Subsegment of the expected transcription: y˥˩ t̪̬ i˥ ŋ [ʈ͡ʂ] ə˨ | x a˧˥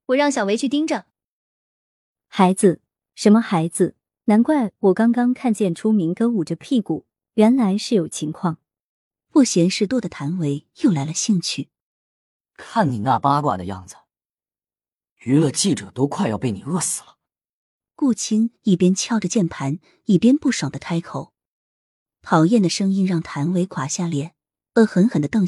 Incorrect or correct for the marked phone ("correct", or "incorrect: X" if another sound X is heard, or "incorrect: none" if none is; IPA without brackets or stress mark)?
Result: correct